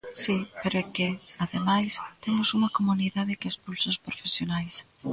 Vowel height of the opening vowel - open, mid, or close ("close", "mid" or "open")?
close